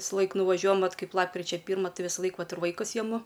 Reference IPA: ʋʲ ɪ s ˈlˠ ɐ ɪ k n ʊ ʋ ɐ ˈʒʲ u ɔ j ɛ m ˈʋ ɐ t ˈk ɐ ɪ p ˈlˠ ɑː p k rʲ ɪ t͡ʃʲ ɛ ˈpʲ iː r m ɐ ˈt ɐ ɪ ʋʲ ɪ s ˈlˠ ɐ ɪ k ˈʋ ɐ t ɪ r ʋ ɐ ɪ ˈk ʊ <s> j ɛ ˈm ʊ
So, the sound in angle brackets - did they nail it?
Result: yes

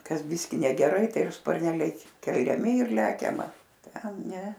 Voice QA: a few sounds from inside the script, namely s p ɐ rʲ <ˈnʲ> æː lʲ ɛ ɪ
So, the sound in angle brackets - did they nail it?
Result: yes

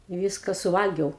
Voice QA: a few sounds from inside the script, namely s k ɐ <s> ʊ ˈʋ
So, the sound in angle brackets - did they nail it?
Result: yes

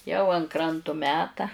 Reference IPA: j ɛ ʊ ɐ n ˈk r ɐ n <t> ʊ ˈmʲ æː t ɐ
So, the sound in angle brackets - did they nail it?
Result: yes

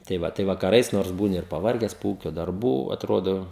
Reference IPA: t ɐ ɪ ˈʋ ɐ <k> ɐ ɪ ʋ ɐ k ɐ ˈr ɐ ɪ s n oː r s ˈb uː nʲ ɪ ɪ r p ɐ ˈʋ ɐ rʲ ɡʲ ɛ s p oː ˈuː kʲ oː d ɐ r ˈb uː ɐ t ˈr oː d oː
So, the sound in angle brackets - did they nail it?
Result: no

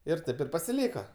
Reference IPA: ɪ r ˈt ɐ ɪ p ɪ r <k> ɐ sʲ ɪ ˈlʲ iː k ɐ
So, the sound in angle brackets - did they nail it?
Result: no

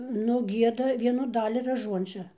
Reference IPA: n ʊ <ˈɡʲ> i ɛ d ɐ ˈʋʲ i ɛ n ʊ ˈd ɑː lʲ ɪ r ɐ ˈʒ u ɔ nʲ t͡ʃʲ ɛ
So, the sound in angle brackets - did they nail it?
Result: yes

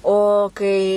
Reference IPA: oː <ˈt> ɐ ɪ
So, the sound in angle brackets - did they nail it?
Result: no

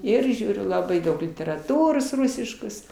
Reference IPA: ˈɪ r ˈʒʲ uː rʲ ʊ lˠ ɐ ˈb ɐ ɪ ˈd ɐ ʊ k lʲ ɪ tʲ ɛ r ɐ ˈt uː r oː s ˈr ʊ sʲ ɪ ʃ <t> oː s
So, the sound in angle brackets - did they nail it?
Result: no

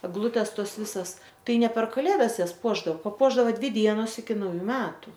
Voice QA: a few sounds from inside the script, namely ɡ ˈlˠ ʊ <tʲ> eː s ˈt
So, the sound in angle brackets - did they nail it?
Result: yes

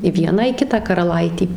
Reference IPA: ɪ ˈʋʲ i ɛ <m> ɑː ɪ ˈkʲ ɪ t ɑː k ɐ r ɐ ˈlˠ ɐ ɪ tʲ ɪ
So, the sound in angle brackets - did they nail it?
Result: no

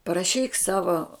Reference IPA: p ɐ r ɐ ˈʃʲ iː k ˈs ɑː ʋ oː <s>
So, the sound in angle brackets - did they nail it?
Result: no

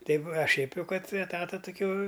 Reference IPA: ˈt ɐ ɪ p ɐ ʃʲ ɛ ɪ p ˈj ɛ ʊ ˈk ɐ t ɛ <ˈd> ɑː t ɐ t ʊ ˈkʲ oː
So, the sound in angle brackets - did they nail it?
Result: no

